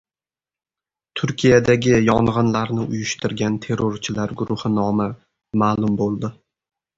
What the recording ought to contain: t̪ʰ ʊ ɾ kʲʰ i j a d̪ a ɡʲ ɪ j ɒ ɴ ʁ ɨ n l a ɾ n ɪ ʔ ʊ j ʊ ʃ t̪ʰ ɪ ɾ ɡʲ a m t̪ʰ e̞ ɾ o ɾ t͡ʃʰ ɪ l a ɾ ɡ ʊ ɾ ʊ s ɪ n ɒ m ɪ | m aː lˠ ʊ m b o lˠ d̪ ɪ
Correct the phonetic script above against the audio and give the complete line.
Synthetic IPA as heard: t̪ʰ ʊ ɾ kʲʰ i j a d̪ a ɡʲ ɪ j ɒ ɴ ʁ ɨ n l a ɾ n ɪ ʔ ʊ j ʊ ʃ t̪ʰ ɪ ɾ ɡʲ a n t̪ʰ e̞ ɾ o ɾ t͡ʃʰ ɪ l a ɾ ɡ ʊ ɾ ʊ h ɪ n ɒ m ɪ | m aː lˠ ʊ m b o lˠ d̪ ɪ